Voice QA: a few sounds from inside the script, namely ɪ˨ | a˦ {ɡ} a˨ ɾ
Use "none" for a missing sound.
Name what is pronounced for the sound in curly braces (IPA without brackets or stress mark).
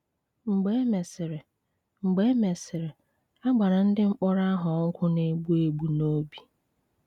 ɡ͡b